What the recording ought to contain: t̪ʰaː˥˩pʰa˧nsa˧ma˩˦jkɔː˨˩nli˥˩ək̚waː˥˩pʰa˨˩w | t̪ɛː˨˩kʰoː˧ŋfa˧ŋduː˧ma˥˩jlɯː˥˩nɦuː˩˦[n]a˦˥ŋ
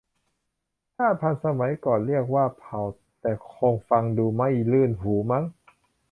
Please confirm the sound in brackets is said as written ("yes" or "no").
no